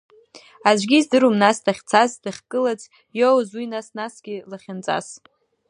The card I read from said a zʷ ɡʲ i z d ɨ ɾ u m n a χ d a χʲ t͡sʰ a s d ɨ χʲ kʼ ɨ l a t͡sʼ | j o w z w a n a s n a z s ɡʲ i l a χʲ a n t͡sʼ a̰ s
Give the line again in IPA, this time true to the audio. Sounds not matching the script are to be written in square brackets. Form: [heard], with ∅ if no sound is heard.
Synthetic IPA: a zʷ ɡʲ i z d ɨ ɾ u m n a [s] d a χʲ t͡sʰ a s d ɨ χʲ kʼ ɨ l a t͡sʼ | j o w z w [i] n a s n a [∅] s ɡʲ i l a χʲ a n t͡sʼ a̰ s